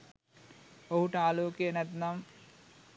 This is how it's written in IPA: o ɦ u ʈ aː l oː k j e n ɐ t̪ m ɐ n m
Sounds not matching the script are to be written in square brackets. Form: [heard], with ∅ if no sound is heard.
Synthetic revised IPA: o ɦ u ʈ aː l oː k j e n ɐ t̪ [n] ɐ [∅] m